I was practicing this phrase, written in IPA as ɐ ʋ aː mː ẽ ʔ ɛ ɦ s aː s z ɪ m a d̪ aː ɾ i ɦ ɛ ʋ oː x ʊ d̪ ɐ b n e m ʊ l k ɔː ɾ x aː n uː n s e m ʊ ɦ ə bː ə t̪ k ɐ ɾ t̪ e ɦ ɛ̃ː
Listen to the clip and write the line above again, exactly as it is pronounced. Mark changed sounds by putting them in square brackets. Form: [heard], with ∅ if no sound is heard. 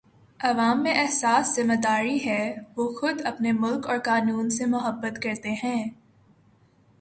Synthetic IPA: ɐ ʋ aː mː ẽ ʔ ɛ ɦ s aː s z ɪ m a d̪ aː ɾ i ɦ ɛ ʋ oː x ʊ d̪ ɐ [p] n e m ʊ l k ɔː ɾ [k] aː n uː n s e m ʊ ɦ ə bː ə t̪ k ɐ ɾ t̪ e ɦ ɛ̃ː